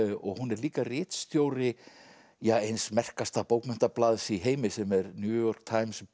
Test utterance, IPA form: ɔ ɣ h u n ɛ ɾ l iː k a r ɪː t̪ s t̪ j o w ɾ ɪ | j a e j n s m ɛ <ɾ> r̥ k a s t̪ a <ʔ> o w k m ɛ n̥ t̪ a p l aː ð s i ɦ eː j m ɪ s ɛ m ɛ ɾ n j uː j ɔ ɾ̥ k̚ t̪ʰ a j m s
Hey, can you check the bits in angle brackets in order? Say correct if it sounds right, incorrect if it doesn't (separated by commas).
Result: incorrect, incorrect